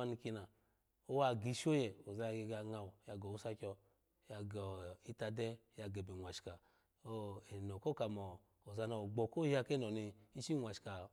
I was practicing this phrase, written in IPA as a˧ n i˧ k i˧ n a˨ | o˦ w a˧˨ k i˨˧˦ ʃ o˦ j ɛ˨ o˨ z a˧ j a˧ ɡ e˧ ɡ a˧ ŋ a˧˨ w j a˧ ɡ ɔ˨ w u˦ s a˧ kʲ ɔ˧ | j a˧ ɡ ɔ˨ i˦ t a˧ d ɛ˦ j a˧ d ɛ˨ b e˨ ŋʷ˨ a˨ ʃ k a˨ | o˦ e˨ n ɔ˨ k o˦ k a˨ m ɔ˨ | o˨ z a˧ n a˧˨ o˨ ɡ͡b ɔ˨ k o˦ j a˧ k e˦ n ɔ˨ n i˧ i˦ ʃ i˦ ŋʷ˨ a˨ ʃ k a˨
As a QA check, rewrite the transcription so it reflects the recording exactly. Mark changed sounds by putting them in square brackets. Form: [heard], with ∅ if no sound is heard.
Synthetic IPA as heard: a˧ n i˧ k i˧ n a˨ | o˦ w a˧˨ [ɡ] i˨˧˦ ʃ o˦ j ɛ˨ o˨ z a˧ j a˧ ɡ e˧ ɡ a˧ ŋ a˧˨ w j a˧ ɡ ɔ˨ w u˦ s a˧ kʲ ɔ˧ | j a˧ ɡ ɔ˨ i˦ t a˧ d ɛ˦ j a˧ [ɡ] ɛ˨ b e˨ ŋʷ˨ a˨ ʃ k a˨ | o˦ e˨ n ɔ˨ k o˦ k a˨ m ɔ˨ | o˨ z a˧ n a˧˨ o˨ ɡ͡b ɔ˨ k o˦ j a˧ k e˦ n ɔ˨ n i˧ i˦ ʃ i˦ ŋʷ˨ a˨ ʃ k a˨